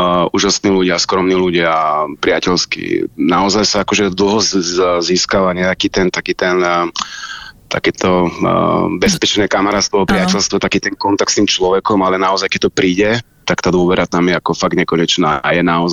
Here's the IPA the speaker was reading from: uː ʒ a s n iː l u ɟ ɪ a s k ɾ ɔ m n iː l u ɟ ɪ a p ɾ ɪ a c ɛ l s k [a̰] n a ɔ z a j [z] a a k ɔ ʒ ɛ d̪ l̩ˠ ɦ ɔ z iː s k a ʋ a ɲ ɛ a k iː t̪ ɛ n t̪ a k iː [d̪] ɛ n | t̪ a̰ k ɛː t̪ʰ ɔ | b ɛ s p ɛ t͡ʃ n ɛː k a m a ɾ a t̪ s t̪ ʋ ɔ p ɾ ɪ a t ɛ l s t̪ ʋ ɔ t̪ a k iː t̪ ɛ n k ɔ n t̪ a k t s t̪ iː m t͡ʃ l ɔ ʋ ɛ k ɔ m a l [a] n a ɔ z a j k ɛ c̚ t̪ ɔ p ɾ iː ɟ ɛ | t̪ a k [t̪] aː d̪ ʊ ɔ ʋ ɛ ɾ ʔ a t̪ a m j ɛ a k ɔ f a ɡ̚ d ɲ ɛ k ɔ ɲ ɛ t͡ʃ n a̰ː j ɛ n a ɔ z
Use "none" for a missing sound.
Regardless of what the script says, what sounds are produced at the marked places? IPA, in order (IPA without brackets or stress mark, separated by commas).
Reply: ḭ, s, t̪, ɛ, t̪